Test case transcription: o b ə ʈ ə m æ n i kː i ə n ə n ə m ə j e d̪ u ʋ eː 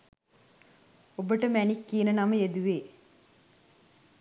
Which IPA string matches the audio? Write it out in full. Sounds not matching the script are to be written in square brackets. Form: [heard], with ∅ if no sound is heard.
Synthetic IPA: o b ə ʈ ə m æ n i kː i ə n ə n [a] m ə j e d̪ u ʋ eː

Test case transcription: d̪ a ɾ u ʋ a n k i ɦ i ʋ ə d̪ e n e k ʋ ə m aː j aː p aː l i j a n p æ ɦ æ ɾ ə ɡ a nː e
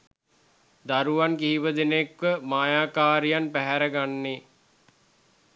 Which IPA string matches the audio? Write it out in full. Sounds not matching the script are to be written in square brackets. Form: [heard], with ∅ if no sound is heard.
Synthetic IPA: d̪ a ɾ u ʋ a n k i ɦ i ʋ ə d̪ e n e k ʋ ə m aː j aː [k] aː [ɾ] i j a n p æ ɦ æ ɾ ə ɡ a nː e

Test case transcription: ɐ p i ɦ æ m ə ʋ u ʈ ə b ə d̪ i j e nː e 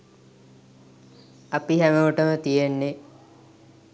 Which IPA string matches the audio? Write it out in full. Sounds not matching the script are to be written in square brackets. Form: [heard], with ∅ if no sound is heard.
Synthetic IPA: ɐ p i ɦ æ m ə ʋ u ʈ ə [m] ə [t̪] i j e nː e

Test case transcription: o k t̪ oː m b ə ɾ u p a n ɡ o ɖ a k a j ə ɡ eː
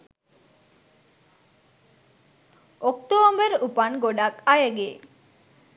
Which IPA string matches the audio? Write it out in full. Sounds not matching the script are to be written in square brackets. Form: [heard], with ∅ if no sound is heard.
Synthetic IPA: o k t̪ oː m b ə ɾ u p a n ɡ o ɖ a k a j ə ɡ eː

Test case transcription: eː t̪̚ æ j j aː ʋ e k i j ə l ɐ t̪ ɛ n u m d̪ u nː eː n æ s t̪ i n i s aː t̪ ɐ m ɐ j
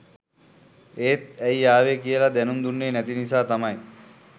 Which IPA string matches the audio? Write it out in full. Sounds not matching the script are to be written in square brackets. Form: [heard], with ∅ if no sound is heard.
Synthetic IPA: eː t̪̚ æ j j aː ʋ e k i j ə l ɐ [d̪] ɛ n u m d̪ u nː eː n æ [∅] t̪ i n i s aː t̪ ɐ m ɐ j

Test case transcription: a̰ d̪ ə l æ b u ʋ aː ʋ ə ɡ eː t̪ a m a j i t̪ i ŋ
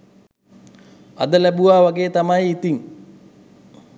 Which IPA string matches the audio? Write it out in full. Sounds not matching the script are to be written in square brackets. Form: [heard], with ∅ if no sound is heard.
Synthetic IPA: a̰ d̪ ə l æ b u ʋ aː ʋ [a] ɡ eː t̪ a m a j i t̪ i ŋ

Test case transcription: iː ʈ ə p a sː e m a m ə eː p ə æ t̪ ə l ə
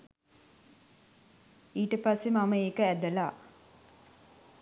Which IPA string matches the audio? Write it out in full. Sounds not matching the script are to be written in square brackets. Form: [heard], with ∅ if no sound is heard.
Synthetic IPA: iː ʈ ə p a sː e m a m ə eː [k] ə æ [d̪] ə l [a]

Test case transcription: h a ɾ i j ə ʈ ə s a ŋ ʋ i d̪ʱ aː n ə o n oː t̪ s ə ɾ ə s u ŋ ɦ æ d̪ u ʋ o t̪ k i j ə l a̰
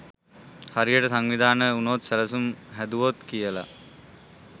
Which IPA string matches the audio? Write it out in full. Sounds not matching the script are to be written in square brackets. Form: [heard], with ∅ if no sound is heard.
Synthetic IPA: h a ɾ i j ə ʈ ə s a ŋ ʋ i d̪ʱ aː n ə [u] n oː t̪ s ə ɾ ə s u [m] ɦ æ d̪ u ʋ o t̪ k i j ə l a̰

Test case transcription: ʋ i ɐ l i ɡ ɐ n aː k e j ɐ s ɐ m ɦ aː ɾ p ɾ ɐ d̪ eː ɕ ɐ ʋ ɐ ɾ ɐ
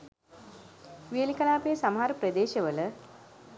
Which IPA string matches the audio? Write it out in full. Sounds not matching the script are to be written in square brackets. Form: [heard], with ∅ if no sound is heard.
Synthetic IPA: ʋ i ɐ l i [k] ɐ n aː [p] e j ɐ s ɐ m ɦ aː ɾ p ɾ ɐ d̪ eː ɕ ɐ ʋ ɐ [l] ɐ

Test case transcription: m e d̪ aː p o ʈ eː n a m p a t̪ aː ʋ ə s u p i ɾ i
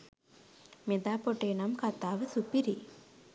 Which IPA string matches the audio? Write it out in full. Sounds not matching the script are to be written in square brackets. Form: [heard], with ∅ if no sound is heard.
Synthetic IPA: m e d̪ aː p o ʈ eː n a m [k] a t̪ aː ʋ ə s u p i ɾ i

